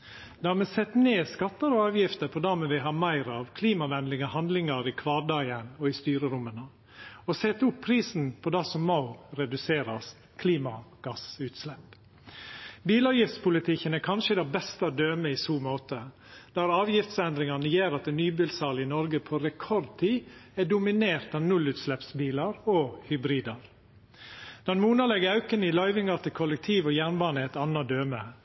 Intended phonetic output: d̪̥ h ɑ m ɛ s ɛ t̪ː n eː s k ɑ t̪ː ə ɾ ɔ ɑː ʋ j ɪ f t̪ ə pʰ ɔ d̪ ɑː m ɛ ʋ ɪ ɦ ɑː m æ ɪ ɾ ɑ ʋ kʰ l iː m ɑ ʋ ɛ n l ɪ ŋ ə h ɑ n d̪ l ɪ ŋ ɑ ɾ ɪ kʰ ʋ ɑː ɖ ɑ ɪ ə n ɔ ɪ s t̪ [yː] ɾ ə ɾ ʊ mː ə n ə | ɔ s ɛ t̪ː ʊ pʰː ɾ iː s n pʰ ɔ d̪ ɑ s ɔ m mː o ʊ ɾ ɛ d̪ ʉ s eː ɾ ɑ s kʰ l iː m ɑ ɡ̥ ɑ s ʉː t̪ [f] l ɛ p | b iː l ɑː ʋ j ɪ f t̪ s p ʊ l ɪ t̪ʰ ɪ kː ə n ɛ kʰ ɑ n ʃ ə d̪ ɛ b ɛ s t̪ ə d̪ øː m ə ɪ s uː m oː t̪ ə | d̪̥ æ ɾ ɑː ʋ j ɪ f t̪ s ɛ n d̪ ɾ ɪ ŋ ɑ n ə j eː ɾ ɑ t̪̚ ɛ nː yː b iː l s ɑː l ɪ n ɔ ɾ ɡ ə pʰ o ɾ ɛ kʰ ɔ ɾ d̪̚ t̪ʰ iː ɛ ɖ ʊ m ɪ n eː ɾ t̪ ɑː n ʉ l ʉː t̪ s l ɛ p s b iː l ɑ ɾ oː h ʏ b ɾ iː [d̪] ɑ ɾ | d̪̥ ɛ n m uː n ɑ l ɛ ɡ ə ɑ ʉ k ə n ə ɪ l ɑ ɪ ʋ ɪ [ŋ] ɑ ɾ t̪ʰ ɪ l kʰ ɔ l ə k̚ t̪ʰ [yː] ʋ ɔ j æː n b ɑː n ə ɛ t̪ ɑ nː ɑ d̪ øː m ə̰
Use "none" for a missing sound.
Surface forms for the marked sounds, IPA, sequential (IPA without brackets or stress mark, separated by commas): yː, s, d̪, ŋ, iː